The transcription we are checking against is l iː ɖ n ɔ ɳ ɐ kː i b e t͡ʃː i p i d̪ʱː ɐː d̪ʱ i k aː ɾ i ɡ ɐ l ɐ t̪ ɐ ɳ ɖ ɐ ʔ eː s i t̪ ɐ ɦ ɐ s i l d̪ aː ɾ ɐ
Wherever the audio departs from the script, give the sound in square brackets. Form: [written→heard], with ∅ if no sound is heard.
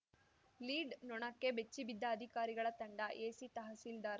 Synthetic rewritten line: l iː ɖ n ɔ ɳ ɐ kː [i→e] b e t͡ʃː i [p→b] i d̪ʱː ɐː d̪ʱ i k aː ɾ i ɡ ɐ [l→ɭ] ɐ t̪ ɐ ɳ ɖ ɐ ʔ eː s i t̪ ɐ ɦ ɐ s i l d̪ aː ɾ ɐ